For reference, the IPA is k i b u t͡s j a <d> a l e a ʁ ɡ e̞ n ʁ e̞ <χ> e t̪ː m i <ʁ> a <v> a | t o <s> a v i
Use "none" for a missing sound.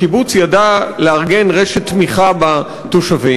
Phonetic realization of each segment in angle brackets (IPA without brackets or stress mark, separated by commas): d, ʃ, χ, b, ʃ